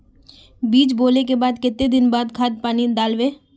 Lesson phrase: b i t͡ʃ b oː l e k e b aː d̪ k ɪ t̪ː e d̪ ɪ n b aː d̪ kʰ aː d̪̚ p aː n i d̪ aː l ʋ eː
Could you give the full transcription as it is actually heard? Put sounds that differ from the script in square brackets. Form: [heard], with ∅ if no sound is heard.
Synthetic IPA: b [iː] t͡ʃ b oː l e k e b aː d̪ k ɪ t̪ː e d̪ ɪ n b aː d̪ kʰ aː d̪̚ p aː n i d̪ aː l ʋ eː